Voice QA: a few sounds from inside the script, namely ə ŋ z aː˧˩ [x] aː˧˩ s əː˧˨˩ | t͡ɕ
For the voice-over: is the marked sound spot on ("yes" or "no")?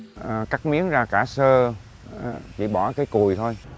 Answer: no